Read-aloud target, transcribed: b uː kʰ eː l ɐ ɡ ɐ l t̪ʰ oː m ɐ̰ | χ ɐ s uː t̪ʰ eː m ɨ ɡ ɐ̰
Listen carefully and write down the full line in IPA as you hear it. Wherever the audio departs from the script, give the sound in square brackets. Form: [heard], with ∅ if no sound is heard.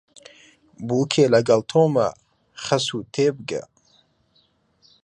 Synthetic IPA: b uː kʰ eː l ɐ ɡ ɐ l t̪ʰ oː m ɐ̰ | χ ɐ s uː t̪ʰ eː [b] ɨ ɡ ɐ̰